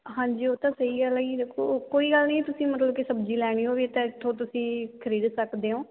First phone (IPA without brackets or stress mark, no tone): ɦ